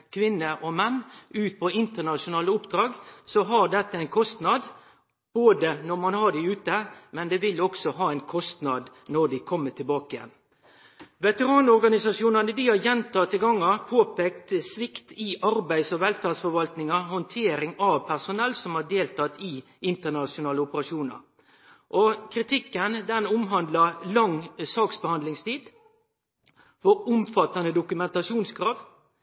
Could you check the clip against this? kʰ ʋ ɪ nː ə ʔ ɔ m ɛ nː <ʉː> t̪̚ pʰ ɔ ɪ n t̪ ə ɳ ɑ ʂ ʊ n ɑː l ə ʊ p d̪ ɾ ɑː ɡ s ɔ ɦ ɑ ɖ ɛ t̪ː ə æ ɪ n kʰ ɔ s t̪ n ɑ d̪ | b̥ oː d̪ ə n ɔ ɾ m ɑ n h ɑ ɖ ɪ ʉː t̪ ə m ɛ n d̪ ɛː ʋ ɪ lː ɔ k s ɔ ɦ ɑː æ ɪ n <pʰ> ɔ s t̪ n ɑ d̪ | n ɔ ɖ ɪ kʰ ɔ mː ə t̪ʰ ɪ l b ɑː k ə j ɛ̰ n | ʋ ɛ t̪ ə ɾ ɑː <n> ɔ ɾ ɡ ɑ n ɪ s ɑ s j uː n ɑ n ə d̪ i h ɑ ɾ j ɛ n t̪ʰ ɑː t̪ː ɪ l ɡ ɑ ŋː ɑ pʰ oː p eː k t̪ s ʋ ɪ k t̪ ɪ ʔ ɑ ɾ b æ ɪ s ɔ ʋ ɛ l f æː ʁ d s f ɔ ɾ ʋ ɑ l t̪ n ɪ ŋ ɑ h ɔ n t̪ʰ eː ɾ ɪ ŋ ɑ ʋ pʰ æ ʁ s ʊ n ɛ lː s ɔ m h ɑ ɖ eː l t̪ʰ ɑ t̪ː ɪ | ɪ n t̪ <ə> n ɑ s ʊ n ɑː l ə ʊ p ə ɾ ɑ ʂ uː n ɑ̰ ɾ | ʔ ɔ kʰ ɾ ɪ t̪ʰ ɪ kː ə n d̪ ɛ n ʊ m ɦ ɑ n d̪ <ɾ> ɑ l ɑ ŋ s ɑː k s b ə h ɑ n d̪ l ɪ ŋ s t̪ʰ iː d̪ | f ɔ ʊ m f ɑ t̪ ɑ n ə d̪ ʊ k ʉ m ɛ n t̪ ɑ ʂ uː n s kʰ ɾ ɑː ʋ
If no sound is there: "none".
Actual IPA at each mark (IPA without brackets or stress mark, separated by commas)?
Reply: ʉː, kʰ, n, ə, l